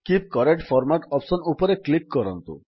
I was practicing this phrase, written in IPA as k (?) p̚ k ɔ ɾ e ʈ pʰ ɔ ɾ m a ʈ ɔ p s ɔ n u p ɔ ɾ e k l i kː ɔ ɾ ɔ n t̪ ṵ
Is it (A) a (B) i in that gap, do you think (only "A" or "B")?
B